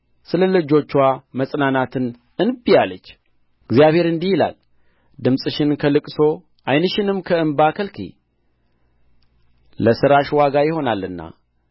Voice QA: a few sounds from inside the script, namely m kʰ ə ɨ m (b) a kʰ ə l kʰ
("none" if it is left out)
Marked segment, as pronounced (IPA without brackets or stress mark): b